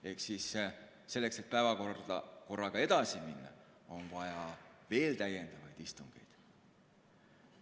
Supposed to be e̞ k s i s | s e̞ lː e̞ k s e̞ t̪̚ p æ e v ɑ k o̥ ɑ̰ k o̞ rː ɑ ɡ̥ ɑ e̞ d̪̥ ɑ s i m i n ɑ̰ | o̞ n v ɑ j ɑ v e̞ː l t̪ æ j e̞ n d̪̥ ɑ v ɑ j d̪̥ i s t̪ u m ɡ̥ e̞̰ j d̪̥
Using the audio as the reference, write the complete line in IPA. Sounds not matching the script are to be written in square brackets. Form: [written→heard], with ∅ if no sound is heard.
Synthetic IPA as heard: e̞ k s i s | s e̞ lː e̞ k s e̞ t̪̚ p æ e v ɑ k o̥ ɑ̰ k o̞ rː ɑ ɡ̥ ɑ e̞ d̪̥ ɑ s i m i [n→nː] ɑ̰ | o̞ n v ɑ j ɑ v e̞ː l t̪ æ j e̞ n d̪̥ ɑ v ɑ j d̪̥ i s t̪ u [m→ŋ] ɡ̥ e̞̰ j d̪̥